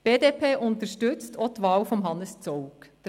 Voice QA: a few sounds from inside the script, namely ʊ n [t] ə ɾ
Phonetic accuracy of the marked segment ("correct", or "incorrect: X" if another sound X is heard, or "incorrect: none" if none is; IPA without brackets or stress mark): correct